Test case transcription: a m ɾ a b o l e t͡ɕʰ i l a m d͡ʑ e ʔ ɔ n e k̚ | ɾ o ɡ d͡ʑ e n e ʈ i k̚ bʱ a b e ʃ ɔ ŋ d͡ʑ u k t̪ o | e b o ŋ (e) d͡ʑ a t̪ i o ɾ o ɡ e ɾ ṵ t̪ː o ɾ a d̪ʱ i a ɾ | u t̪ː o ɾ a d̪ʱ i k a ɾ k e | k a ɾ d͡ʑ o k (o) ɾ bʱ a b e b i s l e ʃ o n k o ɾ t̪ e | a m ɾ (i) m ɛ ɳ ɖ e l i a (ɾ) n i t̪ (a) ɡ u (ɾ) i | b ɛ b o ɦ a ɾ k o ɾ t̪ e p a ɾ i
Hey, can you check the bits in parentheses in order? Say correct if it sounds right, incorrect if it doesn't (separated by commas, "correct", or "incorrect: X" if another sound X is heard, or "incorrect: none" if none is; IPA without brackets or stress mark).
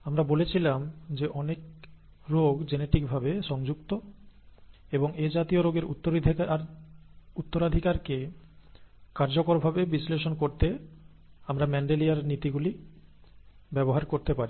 correct, correct, incorrect: a, correct, incorrect: i, incorrect: l